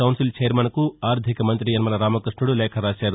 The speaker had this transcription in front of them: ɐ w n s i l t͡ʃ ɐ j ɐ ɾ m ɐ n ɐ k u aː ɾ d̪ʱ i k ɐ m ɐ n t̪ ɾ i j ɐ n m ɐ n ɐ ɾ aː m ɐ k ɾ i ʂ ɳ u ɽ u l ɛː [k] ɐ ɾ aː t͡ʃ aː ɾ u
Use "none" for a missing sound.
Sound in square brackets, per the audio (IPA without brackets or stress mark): kʰ